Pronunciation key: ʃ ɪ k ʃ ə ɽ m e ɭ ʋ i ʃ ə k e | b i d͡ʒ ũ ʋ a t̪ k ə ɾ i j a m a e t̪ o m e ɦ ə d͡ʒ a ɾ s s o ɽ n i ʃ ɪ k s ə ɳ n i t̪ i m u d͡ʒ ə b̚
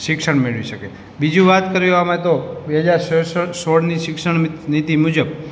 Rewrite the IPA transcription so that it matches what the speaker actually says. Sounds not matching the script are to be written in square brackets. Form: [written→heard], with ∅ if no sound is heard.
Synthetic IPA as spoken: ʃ ɪ k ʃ ə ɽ m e ɭ ʋ i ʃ ə k e | b i d͡ʒ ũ ʋ a t̪ k ə ɾ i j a m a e t̪ o [m→b] e ɦ ə d͡ʒ a ɾ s s o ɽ n i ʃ ɪ k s ə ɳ n i t̪ i m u d͡ʒ ə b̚